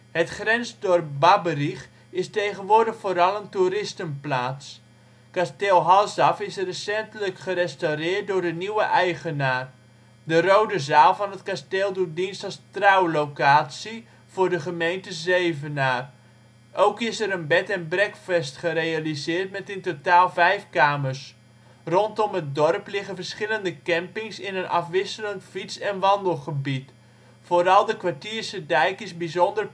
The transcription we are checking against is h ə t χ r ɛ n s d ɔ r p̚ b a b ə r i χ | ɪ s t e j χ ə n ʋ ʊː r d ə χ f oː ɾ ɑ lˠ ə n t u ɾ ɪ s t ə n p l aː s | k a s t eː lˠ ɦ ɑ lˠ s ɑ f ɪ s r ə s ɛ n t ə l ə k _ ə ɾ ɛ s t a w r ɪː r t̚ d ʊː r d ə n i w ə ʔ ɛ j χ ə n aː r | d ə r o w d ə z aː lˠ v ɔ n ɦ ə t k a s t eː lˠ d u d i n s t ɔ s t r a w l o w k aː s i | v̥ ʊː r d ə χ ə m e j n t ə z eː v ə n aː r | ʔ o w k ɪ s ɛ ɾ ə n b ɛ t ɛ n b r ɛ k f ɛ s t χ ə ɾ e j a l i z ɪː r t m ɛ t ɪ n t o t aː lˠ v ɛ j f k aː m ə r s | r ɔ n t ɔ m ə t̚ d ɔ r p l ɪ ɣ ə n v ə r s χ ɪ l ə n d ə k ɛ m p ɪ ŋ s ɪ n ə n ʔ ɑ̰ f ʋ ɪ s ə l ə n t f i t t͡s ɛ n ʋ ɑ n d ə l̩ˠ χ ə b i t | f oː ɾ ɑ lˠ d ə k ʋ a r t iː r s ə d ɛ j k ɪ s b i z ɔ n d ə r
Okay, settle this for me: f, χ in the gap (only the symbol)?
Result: χ